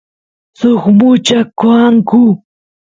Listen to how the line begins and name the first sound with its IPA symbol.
s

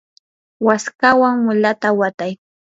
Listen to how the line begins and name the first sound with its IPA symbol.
w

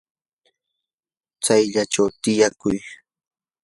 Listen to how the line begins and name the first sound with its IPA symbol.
t͡s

